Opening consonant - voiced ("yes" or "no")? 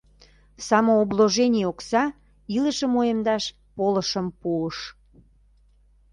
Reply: no